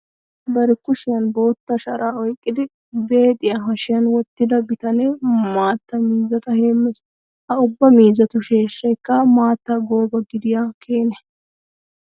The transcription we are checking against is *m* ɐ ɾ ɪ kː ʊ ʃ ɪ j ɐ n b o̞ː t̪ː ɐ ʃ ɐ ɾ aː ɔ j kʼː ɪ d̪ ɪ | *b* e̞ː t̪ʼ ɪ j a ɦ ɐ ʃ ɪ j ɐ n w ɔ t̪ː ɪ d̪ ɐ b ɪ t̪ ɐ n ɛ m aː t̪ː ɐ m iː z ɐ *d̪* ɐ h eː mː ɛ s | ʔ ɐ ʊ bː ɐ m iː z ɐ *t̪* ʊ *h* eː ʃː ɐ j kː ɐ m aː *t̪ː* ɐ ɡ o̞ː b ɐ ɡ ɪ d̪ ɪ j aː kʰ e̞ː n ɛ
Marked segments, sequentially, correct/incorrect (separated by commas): incorrect, correct, incorrect, correct, incorrect, correct